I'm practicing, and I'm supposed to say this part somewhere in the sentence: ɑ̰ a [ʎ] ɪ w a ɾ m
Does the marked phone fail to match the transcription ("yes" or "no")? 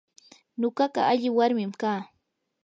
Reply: no